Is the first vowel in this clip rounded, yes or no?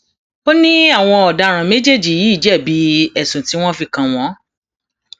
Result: yes